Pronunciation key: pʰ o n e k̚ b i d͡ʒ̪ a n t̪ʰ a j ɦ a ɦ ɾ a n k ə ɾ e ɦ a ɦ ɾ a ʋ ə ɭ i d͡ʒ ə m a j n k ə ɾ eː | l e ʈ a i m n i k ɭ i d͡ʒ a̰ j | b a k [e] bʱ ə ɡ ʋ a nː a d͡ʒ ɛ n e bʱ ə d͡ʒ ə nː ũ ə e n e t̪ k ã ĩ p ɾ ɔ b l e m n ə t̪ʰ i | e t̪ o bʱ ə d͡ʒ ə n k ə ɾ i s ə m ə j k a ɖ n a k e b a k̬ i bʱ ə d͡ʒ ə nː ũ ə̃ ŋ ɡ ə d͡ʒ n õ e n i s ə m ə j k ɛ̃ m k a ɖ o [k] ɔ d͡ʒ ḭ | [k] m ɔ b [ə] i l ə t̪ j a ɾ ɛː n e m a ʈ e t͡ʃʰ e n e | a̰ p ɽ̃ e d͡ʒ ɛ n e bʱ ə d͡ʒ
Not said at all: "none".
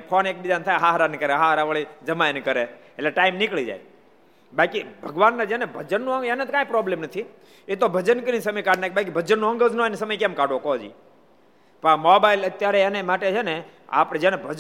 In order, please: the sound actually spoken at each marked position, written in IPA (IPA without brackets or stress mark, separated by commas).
i, k, p, a